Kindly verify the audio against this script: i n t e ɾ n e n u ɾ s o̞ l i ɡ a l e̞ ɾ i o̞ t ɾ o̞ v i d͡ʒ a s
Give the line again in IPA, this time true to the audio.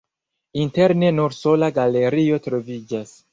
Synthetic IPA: i n t e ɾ n e n u ɾ s o̞ l a ɡ a l e̞ ɾ i o̞ t ɾ o̞ v i d͡ʒ a s